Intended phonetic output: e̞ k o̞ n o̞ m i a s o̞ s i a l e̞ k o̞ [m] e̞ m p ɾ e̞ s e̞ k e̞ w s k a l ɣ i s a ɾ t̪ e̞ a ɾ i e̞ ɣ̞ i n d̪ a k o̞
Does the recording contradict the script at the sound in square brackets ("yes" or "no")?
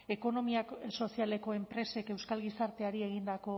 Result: yes